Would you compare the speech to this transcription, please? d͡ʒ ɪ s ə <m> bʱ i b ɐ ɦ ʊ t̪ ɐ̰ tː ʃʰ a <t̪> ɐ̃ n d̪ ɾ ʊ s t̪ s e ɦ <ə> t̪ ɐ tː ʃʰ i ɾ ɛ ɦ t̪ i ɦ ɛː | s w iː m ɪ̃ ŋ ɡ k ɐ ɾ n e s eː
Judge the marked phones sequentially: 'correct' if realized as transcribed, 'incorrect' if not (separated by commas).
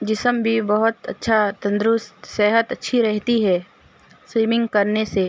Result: correct, correct, correct